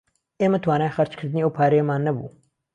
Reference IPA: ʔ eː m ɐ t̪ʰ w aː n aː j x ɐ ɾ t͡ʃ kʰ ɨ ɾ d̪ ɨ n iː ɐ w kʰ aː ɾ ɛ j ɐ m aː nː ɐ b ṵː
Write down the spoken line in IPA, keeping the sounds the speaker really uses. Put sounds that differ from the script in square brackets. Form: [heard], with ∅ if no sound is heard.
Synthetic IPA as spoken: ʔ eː m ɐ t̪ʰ w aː n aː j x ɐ ɾ t͡ʃ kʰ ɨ ɾ d̪ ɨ n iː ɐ w [pʰ] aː ɾ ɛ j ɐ m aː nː ɐ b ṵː